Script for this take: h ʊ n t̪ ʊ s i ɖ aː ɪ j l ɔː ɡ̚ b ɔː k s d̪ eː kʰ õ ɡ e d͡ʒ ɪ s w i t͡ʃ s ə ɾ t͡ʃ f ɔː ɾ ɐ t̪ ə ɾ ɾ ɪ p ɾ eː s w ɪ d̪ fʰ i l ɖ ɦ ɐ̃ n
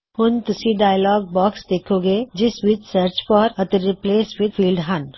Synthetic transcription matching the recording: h ʊ n t̪ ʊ s i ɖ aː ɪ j l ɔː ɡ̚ b ɔː k s d̪ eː kʰ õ ɡ e d͡ʒ ɪ s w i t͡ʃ s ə ɾ t͡ʃ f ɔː ɾ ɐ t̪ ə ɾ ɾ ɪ p l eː s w ɪ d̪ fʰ iː l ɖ ɦ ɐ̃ n

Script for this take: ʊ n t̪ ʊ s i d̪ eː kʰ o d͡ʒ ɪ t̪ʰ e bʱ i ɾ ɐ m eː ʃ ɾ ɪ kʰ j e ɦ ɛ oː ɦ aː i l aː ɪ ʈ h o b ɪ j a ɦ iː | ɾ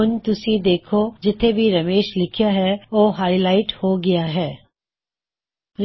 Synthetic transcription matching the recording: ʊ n t̪ ʊ s i d̪ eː kʰ o d͡ʒ ɪ t̪ʰ e bʱ i ɾ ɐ m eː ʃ l ɪ kʰ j a ɦ ɛ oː ɦ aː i l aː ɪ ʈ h o ɡ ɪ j a ɦ ɛː | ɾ

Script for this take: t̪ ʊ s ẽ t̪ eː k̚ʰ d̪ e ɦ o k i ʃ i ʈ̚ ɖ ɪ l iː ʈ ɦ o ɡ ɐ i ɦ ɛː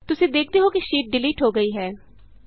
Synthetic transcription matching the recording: t̪ ʊ s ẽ d̪ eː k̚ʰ t̪ e ɦ o k i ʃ iː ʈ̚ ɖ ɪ l iː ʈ ɦ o ɡ ɐ i ɦ ɛː

